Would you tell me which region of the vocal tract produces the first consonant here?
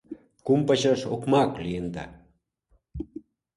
velum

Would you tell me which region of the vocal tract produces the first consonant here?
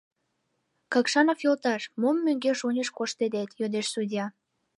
velum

